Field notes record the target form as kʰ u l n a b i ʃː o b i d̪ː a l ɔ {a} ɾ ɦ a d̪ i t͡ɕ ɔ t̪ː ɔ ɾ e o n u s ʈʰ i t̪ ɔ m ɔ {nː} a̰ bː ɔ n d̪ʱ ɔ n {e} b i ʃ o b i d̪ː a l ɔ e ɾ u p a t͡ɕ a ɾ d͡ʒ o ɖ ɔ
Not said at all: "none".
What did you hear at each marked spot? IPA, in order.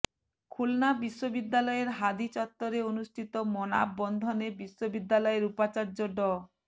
e, n, e

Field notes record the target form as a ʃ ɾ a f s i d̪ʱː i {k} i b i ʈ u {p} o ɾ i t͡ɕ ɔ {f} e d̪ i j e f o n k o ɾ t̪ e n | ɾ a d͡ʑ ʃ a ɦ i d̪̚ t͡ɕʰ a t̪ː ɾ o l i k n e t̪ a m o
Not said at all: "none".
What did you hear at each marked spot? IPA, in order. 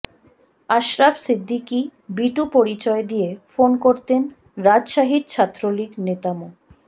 k, p, none

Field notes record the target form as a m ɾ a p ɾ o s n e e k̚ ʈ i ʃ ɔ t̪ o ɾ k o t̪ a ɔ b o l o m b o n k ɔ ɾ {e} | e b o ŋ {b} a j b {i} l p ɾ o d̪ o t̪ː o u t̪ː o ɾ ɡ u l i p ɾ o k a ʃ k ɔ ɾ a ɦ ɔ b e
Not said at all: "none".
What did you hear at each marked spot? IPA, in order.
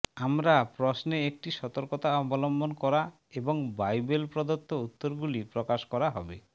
a, b, e

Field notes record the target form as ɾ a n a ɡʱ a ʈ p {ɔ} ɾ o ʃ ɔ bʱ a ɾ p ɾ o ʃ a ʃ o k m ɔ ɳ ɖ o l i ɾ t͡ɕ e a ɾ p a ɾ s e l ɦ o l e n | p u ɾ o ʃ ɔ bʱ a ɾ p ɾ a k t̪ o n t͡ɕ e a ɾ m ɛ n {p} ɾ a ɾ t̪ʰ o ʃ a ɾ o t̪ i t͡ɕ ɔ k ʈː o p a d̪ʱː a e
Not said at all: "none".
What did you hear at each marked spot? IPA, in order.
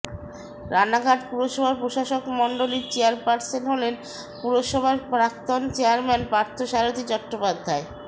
u, p

